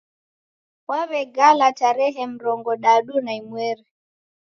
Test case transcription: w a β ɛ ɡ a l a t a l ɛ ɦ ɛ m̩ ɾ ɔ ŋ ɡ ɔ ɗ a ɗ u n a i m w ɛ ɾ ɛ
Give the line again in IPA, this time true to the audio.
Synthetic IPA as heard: w a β ɛ ɡ a l a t a ɾ ɛ ɦ ɛ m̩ ɾ ɔ ŋ ɡ ɔ ɗ a ɗ u n a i m w ɛ ɾ ɛ